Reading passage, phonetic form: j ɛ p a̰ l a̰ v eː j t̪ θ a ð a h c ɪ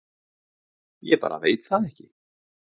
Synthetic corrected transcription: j ɛ p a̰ ɾ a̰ v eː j t̪ θ a ð ɛ h c ɪ